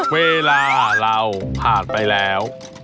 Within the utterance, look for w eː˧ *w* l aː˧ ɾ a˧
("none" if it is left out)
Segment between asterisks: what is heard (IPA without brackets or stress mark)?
none